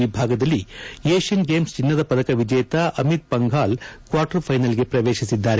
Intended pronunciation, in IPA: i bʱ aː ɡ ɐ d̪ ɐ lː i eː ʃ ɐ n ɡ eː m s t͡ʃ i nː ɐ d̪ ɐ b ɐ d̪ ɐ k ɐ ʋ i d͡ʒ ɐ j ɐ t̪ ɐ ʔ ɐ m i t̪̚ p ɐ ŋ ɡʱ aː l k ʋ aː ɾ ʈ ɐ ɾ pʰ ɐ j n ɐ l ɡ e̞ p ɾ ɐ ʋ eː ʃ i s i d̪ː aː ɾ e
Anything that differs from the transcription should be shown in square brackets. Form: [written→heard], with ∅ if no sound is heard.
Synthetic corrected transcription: i bʱ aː ɡ ɐ d̪ ɐ lː i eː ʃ ɐ n ɡ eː m s t͡ʃ i nː ɐ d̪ ɐ [b→p] ɐ d̪ ɐ k ɐ ʋ i d͡ʒ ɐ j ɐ t̪ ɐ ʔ ɐ m i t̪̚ p ɐ ŋ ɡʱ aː l k ʋ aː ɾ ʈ ɐ ɾ pʰ ɐ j n ɐ l ɡ e̞ p ɾ ɐ ʋ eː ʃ i s i d̪ː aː ɾ e